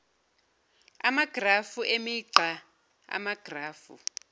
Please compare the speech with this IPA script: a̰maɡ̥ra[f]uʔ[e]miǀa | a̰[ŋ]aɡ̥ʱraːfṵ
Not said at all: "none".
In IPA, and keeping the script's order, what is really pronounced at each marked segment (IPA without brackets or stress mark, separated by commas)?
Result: f, e, m